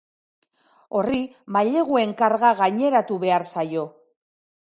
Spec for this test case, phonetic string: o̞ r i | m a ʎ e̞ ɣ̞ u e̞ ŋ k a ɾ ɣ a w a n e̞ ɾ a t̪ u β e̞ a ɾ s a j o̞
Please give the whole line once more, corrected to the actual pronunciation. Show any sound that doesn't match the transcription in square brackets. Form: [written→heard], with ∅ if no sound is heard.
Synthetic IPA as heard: o̞ r i | m a ʎ e̞ ɣ̞ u e̞ ŋ k a ɾ ɣ a [w→ɣ] a [n→ɲ] e̞ ɾ a t̪ u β e̞ a ɾ s a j o̞